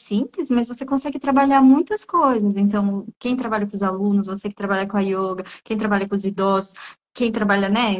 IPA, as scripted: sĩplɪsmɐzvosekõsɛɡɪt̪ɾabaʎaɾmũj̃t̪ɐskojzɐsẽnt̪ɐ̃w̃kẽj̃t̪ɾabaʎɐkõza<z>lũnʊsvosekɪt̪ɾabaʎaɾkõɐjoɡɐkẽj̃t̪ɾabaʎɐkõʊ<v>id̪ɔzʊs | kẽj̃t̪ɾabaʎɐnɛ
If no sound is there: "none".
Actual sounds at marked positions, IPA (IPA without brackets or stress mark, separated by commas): none, z